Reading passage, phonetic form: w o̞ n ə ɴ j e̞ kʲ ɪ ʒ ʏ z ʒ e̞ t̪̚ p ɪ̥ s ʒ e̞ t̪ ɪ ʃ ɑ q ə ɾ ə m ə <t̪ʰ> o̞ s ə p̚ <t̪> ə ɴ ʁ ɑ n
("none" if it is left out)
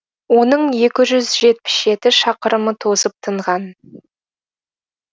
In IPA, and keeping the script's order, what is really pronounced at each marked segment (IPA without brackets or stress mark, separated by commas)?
t̪ʰ, t̪ʰ